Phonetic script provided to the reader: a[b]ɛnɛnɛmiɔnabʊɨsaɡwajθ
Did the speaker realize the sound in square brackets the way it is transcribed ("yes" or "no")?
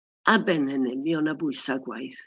yes